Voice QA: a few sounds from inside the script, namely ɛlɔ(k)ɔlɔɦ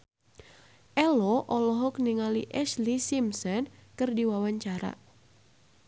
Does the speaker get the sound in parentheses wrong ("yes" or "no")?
yes